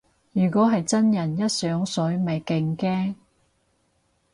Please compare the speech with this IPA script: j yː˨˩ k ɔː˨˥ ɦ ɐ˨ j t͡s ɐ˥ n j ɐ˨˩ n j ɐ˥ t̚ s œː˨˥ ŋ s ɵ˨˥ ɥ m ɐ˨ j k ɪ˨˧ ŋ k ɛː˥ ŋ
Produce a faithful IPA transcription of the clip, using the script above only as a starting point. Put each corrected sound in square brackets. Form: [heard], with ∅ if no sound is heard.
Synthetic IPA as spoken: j yː˨˩ k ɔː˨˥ ɦ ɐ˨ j t͡s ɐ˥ n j ɐ˨˩ n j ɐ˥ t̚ s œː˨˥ ŋ s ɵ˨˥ ɥ m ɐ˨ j k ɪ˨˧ ŋ k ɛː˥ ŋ